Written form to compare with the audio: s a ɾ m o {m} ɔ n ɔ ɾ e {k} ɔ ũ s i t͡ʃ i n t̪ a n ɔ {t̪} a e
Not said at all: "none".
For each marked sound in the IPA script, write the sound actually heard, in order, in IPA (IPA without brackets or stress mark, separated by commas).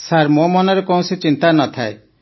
m, k, t̪ʰ